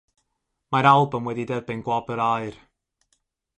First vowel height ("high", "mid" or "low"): low